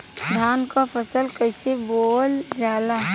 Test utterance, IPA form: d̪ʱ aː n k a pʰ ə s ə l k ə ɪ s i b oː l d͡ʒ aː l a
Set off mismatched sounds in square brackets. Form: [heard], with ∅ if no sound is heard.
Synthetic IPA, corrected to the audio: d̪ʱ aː n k a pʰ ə s ə l k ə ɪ s [e] b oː l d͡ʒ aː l a

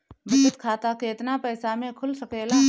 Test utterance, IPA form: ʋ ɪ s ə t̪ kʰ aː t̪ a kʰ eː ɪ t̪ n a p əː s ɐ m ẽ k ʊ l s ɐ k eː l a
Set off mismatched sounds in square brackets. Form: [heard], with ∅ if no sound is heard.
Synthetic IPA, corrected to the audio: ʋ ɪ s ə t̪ kʰ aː t̪ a [k] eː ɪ t̪ n a p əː s [a] m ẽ [kʰ] ʊ l s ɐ k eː l a

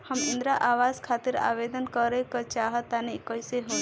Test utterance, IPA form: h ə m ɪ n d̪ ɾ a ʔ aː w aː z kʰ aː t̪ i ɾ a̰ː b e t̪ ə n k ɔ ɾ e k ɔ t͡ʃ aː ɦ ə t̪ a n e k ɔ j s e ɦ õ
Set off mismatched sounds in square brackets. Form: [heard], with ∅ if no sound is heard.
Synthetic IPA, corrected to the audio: h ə m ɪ n d̪ ɾ a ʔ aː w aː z kʰ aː t̪ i ɾ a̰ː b e [d̪] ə n k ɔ ɾ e k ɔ t͡ʃ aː ɦ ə t̪ a n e k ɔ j s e ɦ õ

